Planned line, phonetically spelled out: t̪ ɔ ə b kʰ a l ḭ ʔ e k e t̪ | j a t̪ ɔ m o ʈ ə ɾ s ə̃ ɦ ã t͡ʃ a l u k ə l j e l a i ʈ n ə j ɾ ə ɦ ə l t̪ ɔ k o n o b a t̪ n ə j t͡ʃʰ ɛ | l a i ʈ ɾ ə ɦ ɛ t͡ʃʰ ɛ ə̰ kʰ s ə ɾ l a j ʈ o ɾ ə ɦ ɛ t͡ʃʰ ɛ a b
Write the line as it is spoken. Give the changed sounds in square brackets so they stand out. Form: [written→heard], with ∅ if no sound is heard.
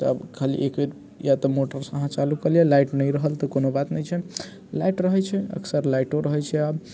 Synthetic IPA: t̪ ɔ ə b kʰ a l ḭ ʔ e k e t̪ | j a t̪ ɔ m o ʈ ə ɾ s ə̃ ɦ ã t͡ʃ a l u k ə l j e l a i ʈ n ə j ɾ ə ɦ ə l t̪ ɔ k o n o b a t̪ n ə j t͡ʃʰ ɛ | l a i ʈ ɾ ə ɦ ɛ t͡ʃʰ ɛ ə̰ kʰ s ə ɾ l a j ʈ o ɾ ə ɦ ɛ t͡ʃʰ ɛ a b

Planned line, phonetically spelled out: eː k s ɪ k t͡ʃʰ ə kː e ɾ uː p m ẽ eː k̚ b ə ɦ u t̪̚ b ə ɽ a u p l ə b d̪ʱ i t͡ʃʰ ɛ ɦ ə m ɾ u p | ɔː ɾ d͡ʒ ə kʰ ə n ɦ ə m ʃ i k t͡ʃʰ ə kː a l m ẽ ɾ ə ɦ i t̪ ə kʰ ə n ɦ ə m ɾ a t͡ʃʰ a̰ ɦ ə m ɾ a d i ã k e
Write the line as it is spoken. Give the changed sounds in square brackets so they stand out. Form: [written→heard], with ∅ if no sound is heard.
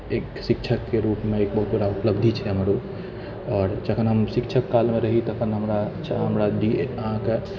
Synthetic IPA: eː k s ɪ k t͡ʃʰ ə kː e ɾ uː p m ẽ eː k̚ b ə ɦ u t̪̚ b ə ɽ a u p l ə b d̪ʱ i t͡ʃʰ ɛ ɦ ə m ɾ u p | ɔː ɾ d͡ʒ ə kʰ ə n ɦ ə m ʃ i k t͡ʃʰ ə kː a l m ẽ ɾ ə ɦ i t̪ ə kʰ ə n ɦ ə m ɾ a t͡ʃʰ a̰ ɦ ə m ɾ a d i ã k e

